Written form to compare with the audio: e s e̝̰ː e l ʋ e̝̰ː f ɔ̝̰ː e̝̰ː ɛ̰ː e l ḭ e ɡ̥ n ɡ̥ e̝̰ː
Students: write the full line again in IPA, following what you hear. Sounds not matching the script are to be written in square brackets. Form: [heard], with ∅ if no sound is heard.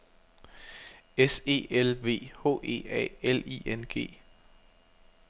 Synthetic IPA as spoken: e s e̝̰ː e l ʋ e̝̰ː [h] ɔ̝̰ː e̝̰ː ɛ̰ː e l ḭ e [∅] n ɡ̥ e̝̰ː